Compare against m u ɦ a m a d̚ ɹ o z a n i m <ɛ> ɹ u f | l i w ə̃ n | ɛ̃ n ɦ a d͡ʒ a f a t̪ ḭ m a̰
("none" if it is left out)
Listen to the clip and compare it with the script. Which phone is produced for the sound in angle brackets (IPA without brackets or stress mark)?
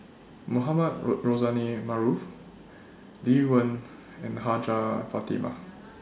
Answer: a